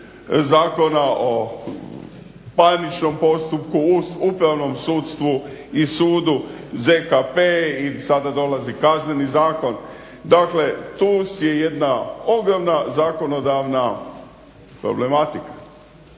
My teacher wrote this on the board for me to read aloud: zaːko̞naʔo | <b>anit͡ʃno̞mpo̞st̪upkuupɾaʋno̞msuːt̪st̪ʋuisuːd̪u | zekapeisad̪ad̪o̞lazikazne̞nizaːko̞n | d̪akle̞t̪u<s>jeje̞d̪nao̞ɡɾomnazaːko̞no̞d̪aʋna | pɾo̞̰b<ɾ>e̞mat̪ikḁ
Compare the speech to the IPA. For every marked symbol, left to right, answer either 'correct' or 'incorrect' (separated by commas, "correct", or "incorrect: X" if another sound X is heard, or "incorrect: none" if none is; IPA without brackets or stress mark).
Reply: incorrect: p, correct, incorrect: l